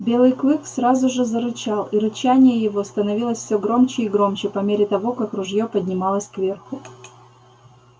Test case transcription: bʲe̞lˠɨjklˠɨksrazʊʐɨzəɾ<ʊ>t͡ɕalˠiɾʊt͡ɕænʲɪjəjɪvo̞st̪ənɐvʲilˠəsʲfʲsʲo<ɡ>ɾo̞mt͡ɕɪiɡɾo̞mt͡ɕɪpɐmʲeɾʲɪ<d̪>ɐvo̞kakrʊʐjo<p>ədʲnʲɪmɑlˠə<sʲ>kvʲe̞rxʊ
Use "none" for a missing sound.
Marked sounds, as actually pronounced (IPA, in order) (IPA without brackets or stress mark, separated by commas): ʊ, ɡ, t̪, p, sʲ